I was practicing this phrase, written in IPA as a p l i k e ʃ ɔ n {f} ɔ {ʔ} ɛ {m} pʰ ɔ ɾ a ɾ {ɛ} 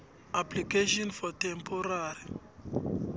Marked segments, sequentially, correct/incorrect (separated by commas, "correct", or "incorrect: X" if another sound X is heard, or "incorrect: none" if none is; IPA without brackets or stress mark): correct, incorrect: t, correct, incorrect: i